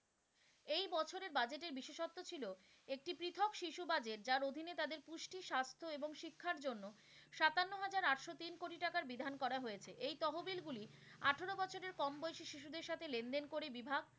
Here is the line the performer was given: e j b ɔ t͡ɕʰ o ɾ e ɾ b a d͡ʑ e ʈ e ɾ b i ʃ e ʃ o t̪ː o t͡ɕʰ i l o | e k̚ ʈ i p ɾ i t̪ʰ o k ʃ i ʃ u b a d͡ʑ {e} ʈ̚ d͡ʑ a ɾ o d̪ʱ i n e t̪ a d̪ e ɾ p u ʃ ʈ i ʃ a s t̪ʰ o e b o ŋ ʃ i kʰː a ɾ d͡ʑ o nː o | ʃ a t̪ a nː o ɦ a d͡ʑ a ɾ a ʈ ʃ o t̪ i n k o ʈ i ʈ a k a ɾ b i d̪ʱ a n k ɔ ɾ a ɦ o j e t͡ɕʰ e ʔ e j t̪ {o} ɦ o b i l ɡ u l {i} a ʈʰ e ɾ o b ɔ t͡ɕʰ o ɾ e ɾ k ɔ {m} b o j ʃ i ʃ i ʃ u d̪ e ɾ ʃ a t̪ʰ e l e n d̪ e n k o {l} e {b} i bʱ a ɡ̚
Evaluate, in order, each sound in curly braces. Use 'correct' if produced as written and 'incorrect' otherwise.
correct, incorrect, correct, correct, incorrect, correct

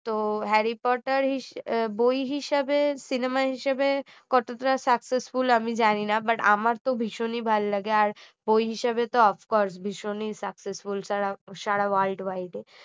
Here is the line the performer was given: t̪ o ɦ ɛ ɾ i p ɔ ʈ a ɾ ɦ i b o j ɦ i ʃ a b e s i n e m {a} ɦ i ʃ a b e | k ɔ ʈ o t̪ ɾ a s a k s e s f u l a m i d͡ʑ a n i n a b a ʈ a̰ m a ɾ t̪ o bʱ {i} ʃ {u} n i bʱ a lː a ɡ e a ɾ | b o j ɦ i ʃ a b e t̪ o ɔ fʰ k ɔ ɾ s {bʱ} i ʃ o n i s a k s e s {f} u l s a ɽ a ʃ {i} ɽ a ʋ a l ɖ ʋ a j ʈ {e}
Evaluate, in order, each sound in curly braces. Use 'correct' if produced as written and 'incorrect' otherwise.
correct, correct, incorrect, correct, correct, incorrect, correct

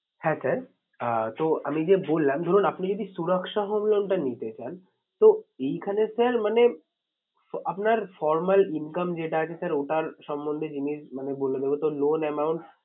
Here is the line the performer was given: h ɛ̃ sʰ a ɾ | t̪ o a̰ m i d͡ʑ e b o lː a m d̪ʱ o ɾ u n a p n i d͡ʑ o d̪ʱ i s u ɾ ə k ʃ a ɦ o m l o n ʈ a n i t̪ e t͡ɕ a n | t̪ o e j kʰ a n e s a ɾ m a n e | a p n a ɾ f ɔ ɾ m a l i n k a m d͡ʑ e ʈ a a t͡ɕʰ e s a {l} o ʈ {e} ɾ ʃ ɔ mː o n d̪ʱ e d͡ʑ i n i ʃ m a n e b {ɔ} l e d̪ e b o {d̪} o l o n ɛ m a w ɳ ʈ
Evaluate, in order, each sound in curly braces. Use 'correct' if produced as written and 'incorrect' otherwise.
incorrect, incorrect, incorrect, incorrect

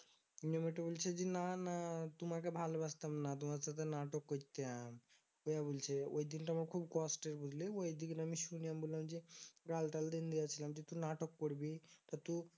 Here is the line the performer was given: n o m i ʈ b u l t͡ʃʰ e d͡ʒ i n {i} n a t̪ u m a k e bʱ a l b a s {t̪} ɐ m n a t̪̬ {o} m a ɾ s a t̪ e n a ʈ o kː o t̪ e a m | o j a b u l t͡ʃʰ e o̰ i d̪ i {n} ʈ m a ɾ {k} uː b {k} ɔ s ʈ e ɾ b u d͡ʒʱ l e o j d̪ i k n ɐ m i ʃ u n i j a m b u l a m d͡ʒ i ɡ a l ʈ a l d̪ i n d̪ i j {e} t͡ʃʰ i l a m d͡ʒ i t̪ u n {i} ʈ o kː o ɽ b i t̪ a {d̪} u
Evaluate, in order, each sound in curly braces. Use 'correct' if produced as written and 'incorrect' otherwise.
incorrect, correct, incorrect, correct, incorrect, correct, incorrect, incorrect, incorrect

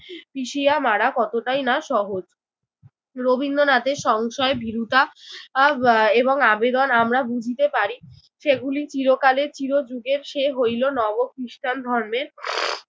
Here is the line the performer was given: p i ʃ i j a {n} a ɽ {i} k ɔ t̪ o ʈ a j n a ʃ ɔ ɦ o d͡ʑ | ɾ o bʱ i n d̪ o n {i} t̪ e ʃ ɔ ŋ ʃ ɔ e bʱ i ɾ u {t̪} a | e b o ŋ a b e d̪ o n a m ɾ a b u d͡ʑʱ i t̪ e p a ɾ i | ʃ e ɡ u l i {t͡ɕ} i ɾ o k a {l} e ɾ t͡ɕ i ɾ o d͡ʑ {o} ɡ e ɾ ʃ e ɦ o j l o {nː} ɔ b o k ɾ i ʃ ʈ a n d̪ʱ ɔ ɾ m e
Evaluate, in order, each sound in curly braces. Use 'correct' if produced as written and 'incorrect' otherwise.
incorrect, incorrect, incorrect, correct, correct, correct, incorrect, incorrect

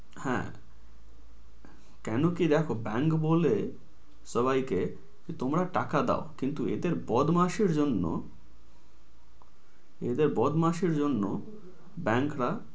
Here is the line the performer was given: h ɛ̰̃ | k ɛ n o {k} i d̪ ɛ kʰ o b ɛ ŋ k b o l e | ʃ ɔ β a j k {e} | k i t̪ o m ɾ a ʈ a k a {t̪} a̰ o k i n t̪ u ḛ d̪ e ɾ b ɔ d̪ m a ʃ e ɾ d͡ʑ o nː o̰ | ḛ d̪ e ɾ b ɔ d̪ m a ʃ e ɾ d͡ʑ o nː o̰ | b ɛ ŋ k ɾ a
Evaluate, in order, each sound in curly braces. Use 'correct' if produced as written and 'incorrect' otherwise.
correct, correct, incorrect

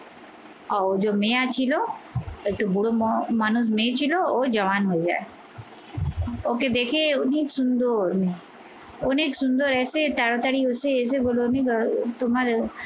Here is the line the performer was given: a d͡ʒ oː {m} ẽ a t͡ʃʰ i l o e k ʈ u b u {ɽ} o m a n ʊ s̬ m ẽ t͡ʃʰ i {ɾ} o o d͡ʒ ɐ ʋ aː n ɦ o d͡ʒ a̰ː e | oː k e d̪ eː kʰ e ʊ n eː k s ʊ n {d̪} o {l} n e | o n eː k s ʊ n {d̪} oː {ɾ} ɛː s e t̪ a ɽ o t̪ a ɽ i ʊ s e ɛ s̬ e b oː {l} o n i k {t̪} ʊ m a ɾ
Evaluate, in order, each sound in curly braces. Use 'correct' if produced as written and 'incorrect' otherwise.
correct, correct, incorrect, correct, incorrect, correct, correct, correct, correct

